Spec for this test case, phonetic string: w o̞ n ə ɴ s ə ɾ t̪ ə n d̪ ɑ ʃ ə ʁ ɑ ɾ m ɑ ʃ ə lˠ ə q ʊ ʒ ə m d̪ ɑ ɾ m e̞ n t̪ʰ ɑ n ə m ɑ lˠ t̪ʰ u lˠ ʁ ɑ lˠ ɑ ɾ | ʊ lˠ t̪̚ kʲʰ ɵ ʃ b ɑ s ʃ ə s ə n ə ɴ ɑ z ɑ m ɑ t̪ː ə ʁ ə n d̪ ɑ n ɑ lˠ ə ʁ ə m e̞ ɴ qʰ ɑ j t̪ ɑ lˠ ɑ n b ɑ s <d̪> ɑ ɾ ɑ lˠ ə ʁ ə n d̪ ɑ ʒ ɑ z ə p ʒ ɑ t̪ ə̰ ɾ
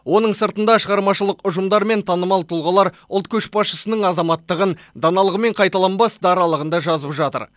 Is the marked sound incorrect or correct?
correct